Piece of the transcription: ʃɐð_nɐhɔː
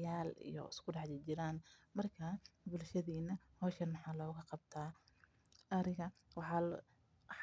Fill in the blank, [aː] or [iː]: iː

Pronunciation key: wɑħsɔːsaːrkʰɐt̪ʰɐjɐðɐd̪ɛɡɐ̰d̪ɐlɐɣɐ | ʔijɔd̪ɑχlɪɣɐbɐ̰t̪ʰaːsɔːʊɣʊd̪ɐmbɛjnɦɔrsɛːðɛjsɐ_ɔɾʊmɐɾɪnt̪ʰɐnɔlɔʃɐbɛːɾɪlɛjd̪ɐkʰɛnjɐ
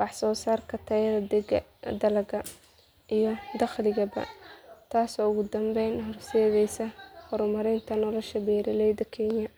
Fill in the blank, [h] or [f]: h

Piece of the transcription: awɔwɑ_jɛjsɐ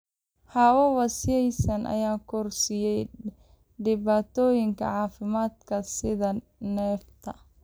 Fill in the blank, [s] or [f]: s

